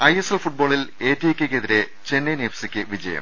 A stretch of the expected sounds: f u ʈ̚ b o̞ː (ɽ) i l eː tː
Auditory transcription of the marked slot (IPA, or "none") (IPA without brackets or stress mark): ɭ